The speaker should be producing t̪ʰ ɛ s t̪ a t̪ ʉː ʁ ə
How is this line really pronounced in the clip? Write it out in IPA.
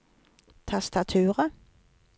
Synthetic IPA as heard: t̪ʰ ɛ s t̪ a t̪ʰ ʉː ʁ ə